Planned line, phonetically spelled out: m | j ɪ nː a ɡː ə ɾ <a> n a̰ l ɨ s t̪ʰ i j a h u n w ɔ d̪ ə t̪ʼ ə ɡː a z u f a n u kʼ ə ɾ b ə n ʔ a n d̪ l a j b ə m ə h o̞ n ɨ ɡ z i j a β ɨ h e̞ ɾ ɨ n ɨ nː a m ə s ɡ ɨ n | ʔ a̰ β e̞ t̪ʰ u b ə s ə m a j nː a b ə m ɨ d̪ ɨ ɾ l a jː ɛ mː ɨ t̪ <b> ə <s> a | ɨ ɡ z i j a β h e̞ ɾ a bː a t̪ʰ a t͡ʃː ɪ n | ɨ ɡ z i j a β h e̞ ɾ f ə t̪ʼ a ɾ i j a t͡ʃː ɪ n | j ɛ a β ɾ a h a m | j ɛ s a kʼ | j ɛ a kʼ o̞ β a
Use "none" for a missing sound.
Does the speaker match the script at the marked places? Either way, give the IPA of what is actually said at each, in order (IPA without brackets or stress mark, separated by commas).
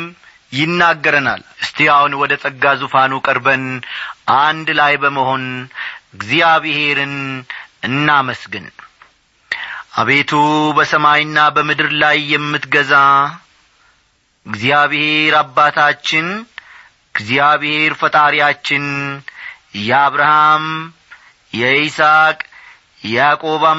ə, ɡ, z